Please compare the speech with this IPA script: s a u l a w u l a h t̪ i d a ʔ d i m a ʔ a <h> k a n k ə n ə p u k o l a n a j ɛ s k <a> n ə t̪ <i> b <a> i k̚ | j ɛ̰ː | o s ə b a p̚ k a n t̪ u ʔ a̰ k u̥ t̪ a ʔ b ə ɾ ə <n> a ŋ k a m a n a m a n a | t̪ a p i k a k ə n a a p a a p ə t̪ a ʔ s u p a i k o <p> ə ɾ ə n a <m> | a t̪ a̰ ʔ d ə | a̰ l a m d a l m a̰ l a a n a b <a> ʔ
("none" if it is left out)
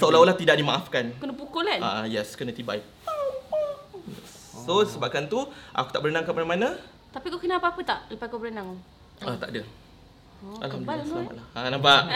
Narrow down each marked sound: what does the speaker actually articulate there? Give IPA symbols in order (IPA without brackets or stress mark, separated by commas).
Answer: f, ə, i, a, n, b, ŋ, a